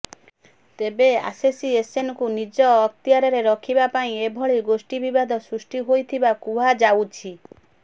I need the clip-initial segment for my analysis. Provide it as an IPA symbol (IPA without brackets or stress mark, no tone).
t̪